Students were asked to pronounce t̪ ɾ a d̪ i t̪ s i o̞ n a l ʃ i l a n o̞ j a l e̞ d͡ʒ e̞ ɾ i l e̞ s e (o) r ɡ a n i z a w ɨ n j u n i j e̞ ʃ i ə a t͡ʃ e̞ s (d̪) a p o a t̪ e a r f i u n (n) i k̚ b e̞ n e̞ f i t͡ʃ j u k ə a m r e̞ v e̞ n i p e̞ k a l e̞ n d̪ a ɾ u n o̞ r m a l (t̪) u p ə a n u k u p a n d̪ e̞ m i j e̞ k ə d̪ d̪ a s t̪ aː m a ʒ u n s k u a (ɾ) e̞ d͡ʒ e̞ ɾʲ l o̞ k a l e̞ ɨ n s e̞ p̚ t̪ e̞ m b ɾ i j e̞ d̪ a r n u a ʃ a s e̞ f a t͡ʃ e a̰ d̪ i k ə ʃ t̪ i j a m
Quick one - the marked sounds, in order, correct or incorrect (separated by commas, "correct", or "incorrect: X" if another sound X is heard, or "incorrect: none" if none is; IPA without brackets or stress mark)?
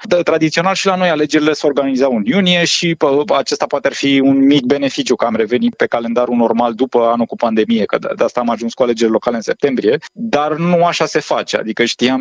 correct, incorrect: t̪, incorrect: m, incorrect: d̪, incorrect: l